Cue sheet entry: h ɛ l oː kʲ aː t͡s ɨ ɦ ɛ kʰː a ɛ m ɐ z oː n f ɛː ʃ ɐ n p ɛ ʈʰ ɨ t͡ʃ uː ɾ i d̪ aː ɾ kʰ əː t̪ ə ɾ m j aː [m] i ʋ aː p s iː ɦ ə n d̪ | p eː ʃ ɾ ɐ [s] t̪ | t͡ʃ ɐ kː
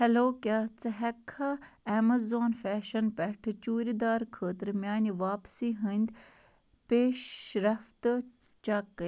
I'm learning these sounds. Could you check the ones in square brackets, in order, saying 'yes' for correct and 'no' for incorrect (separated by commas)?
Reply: no, no